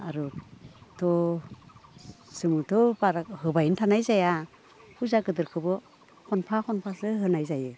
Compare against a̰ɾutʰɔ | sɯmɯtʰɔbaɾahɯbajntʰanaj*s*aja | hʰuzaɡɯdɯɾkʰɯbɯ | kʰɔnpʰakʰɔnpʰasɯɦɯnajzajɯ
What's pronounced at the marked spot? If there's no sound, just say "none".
z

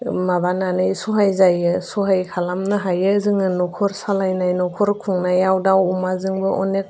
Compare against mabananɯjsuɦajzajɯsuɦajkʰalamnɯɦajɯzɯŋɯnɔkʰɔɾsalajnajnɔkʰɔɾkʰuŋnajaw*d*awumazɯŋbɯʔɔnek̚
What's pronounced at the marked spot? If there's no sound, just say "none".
d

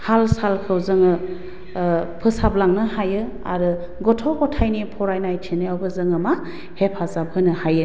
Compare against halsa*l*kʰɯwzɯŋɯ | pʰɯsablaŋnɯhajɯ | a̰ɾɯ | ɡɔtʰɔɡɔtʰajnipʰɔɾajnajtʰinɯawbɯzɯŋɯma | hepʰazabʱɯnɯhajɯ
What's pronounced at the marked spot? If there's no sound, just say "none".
l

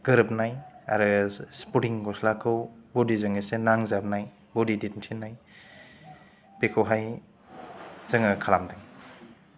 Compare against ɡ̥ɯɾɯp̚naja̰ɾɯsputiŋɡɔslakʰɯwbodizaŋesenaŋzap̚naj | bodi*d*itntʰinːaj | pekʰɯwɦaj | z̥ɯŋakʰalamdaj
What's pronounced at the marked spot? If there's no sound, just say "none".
d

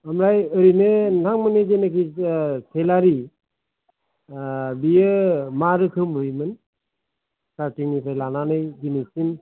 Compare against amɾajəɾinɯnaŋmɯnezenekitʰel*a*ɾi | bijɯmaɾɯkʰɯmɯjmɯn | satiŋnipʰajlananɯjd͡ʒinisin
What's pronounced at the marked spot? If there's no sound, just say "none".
a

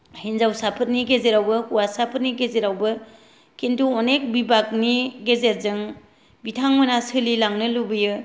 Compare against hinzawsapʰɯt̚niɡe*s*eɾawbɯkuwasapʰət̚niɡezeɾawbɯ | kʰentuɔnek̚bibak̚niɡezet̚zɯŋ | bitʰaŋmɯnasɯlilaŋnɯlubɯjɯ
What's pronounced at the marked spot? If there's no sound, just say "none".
z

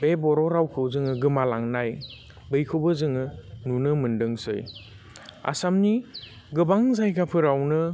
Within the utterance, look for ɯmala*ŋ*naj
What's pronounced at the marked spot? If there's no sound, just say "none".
ŋ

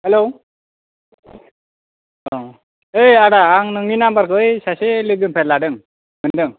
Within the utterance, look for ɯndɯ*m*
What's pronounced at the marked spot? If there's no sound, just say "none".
ŋ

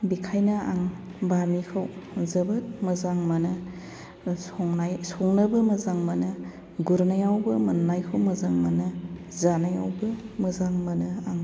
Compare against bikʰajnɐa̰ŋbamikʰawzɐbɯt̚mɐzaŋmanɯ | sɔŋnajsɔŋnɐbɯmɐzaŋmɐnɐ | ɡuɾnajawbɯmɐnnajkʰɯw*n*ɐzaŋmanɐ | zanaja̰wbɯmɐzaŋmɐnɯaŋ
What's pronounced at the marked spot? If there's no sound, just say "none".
m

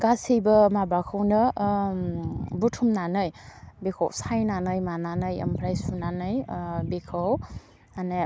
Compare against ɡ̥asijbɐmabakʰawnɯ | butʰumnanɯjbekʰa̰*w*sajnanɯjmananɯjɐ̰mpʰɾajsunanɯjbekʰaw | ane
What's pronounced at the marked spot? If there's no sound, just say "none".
w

